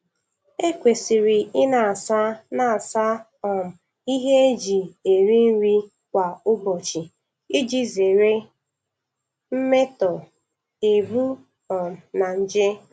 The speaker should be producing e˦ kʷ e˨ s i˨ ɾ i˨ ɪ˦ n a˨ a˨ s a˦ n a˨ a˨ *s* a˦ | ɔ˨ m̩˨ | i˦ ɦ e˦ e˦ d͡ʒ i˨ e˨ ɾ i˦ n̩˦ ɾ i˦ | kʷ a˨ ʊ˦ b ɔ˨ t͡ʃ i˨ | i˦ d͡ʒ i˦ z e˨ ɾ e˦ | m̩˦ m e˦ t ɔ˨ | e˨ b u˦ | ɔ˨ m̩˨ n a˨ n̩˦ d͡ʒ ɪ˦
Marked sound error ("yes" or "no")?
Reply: no